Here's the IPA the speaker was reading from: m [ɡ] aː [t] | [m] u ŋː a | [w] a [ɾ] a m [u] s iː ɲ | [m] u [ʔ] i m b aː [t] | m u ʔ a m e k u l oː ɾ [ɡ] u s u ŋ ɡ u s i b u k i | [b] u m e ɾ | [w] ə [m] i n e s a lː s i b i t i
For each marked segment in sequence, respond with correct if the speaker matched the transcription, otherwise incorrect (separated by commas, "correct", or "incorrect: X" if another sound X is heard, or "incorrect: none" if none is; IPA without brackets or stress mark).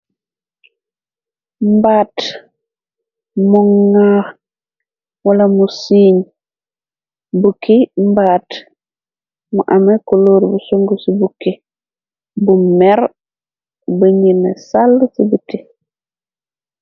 incorrect: b, correct, correct, correct, incorrect: l, correct, incorrect: b, incorrect: k, correct, incorrect: b, correct, incorrect: b, incorrect: ɲ